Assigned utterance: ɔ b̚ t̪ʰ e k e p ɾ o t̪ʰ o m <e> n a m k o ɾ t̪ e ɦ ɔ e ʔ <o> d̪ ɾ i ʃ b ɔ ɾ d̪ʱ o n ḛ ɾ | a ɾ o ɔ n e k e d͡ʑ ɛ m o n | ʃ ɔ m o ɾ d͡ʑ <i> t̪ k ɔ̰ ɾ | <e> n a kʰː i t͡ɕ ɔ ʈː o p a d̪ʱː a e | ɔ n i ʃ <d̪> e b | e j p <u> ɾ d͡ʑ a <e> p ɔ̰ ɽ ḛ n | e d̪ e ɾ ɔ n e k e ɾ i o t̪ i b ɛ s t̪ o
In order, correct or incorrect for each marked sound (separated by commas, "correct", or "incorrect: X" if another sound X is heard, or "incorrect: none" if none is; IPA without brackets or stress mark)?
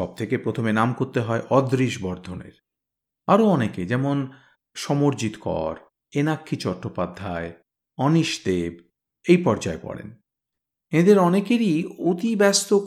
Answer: correct, incorrect: ɔ, correct, correct, correct, incorrect: ɔ, correct